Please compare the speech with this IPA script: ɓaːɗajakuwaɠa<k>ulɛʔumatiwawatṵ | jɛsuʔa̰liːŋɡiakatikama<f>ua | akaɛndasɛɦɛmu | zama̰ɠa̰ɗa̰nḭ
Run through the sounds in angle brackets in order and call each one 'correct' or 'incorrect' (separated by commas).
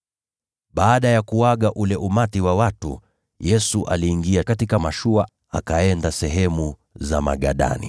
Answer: incorrect, incorrect